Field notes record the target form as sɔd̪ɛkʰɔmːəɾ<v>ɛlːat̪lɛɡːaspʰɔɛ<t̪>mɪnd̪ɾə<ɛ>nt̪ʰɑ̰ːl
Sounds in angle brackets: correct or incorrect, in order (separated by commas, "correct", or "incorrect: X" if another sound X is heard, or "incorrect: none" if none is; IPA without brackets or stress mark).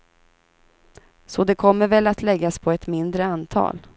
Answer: correct, correct, incorrect: a